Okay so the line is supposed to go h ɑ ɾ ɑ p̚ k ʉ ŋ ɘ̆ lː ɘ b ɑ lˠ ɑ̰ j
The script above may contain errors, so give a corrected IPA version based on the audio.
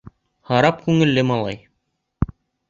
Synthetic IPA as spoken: h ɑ ɾ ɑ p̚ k ʉ ŋ ɘ̆ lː ɘ m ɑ lˠ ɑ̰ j